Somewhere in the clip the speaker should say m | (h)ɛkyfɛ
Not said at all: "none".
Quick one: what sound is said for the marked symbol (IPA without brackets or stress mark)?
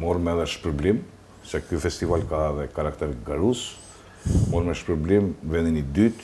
s